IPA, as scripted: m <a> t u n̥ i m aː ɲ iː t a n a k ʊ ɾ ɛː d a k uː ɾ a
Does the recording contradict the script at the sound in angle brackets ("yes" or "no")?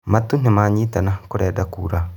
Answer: no